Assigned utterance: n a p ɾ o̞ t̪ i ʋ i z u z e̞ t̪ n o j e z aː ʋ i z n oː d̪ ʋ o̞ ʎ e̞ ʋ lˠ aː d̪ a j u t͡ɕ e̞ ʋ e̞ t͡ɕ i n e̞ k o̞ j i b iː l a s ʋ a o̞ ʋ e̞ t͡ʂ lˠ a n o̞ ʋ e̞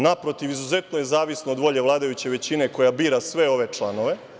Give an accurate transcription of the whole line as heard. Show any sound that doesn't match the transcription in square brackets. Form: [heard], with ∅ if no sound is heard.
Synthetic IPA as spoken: n a p ɾ o̞ t̪ i ʋ i z u z e̞ t̪ n o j e z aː ʋ i [s] n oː d̪ ʋ o̞ ʎ e̞ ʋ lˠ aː d̪ a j u t͡ɕ e̞ ʋ e̞ t͡ɕ i n e̞ k o̞ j [a] b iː [ɾ] a s ʋ [e] o̞ ʋ e̞ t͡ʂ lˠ a n o̞ ʋ e̞